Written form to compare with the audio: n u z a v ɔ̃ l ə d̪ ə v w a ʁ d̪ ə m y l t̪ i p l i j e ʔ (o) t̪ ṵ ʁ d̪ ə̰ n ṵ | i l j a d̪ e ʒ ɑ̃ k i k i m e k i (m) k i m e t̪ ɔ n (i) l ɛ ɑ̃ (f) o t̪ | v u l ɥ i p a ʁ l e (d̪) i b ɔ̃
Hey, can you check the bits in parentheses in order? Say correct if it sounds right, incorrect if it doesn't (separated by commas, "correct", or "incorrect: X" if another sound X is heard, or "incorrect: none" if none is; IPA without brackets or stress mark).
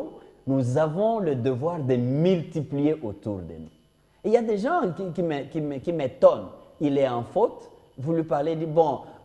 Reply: correct, correct, correct, correct, correct